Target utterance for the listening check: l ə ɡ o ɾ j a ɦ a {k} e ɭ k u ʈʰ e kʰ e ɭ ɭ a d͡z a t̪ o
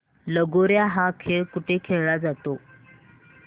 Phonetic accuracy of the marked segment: incorrect: kʰ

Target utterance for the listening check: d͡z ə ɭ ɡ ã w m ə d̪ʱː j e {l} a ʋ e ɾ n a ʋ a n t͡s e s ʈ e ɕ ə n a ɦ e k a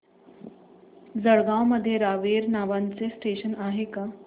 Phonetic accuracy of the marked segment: incorrect: ɾ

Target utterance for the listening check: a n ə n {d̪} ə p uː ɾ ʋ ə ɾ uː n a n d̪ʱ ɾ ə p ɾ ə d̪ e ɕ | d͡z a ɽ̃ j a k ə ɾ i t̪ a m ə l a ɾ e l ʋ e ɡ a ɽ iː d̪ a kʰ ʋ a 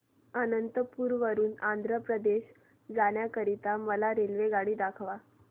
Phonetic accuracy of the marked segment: incorrect: t̪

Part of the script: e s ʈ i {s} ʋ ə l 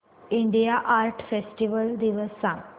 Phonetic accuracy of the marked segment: incorrect: none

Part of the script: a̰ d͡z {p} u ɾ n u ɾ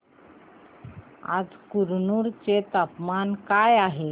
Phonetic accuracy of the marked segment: incorrect: k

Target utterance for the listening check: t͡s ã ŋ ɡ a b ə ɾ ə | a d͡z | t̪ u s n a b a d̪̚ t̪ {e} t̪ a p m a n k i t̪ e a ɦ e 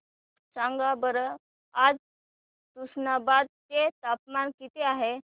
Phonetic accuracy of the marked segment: correct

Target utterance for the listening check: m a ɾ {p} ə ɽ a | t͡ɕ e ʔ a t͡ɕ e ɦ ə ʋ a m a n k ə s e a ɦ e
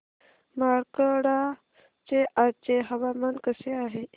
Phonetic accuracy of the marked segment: incorrect: k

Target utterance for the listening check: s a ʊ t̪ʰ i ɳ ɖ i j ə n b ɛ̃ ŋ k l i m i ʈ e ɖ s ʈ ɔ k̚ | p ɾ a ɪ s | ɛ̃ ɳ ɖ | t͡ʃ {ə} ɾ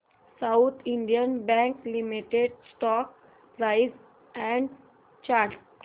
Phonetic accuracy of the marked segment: incorrect: a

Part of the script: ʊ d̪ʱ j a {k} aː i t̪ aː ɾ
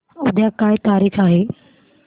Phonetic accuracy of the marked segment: correct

